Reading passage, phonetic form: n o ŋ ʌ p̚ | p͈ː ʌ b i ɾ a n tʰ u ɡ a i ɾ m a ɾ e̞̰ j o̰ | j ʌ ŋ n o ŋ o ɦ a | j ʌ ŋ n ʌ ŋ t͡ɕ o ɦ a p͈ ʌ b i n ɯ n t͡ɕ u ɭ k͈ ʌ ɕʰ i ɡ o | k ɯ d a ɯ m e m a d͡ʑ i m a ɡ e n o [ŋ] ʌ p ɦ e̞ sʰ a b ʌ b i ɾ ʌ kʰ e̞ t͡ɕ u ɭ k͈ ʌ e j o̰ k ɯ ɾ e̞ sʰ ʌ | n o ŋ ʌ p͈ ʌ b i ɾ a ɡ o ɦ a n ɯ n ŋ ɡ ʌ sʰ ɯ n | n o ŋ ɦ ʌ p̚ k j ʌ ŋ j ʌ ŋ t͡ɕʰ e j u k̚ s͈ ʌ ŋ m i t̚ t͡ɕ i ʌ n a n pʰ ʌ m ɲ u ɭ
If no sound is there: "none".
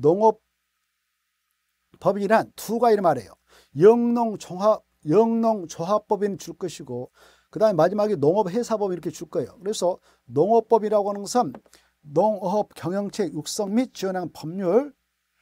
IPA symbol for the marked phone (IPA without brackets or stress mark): ŋ